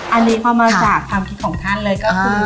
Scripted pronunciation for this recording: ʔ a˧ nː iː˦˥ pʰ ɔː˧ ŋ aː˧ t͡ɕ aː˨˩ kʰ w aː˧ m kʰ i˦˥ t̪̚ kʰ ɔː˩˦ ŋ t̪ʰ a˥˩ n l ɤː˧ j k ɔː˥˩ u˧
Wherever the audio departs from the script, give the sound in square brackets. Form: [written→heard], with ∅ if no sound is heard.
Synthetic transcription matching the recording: ʔ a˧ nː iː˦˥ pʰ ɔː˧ [ŋ→m] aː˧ t͡ɕ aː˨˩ kʰ w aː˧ m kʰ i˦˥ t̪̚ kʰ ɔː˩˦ ŋ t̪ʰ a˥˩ n l ɤː˧ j k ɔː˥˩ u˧